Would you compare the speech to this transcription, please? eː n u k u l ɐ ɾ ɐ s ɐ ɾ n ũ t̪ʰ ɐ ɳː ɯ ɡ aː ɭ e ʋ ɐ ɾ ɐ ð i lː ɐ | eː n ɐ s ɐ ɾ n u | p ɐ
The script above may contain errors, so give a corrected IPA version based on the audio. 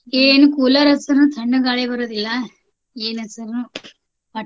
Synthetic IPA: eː n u k u l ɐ ɾ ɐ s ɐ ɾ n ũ t̪ʰ ɐ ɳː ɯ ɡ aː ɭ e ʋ ɐ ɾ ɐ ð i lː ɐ | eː n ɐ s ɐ ɾ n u | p ɐ